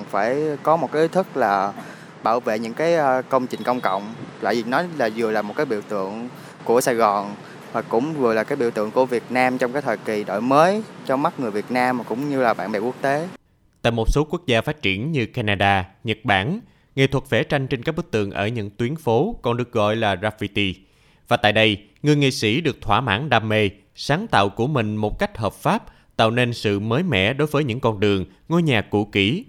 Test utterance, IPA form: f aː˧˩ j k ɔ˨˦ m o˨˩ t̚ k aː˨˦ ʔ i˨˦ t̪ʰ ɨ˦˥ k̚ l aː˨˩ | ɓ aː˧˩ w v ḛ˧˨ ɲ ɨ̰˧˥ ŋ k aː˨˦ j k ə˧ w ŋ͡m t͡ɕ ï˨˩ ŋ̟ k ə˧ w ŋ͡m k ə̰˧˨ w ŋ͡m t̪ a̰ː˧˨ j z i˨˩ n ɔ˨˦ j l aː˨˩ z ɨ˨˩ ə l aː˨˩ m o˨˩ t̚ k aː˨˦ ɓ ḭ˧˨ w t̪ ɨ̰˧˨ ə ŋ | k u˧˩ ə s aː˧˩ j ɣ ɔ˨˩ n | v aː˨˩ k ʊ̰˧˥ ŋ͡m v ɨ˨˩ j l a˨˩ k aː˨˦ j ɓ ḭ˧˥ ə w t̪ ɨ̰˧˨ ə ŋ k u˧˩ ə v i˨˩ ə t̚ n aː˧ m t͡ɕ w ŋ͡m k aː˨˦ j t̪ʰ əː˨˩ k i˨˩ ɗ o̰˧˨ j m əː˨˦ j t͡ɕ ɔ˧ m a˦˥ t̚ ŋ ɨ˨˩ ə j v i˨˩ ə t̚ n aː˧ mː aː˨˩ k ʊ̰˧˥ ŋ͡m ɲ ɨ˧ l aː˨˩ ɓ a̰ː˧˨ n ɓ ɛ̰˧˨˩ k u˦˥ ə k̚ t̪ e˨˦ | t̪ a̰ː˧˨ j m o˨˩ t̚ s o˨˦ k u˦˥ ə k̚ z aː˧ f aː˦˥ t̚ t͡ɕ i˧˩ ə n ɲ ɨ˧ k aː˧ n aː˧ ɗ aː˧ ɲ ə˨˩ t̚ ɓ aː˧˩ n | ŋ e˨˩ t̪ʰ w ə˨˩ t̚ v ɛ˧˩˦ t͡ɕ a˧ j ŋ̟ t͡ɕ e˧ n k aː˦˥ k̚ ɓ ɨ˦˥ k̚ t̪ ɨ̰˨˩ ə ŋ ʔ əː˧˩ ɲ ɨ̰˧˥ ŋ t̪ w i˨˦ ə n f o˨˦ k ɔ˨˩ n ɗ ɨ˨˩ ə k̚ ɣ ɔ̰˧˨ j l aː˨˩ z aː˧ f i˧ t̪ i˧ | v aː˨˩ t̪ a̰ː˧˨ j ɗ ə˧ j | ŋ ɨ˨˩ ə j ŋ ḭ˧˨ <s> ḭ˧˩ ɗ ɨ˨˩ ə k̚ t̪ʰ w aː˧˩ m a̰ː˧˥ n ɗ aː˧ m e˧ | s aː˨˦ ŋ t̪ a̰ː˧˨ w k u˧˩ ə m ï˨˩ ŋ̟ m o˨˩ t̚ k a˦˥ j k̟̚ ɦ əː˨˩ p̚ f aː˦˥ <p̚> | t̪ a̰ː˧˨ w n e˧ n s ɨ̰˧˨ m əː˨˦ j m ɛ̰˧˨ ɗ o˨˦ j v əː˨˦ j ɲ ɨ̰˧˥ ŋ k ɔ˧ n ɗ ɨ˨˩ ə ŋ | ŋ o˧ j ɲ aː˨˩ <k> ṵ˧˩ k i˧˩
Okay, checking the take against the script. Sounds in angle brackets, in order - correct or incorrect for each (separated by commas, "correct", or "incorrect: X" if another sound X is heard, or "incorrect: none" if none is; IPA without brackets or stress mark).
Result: correct, correct, correct